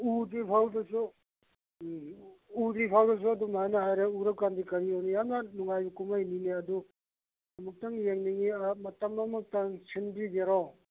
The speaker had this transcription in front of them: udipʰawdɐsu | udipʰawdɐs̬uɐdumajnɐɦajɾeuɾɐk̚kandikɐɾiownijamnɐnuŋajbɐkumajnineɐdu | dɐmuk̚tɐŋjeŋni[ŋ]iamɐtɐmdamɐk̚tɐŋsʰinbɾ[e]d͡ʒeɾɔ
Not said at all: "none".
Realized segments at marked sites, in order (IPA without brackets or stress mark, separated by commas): ŋ, i